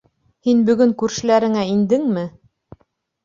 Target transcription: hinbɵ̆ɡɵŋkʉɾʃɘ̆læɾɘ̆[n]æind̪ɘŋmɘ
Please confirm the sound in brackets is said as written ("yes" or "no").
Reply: no